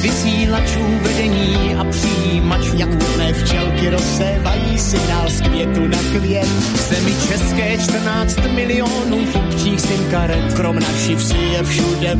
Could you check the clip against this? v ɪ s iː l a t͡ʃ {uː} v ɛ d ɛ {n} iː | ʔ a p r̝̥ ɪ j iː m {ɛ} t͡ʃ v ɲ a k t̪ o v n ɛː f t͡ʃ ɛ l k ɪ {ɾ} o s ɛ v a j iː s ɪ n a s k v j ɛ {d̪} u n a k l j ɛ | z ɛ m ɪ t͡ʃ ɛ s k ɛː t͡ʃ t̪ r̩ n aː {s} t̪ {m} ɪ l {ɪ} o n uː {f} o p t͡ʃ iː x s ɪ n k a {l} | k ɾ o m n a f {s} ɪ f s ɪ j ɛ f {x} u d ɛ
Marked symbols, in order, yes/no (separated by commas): yes, no, no, yes, no, no, yes, yes, yes, no, no, no